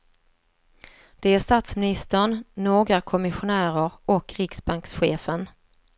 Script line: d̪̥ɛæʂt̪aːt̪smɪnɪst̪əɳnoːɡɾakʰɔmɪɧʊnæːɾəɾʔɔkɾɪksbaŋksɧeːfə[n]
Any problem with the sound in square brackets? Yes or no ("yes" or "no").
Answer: no